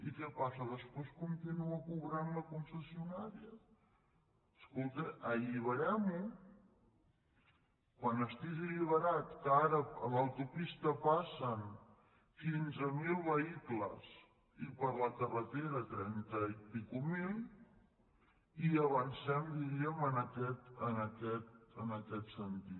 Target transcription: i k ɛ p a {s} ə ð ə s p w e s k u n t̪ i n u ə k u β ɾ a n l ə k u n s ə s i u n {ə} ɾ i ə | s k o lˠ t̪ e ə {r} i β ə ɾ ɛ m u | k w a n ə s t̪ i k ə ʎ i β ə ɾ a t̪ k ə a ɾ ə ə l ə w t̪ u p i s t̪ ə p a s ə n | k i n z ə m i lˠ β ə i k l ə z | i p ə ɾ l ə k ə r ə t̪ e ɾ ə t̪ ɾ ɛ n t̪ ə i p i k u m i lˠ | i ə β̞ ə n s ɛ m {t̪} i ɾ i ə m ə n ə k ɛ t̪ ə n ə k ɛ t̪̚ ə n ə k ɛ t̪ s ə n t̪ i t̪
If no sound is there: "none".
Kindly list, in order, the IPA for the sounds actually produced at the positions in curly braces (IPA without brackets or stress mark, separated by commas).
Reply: s, a, ʎ, d̪